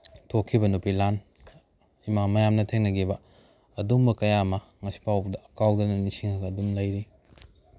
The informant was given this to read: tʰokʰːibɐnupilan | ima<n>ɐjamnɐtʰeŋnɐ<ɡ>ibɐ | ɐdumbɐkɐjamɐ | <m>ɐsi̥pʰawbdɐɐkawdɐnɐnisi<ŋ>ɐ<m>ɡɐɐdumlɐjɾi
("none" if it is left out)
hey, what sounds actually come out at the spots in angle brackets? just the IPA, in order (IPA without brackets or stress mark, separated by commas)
m, ɡ, ŋ, ŋ, none